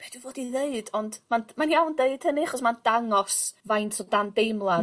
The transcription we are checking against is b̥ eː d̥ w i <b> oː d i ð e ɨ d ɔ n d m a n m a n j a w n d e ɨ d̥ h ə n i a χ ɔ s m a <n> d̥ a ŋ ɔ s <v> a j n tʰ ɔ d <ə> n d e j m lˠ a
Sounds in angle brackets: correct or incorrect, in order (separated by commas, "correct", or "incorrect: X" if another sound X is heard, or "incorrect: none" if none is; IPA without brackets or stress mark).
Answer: incorrect: v, correct, correct, incorrect: a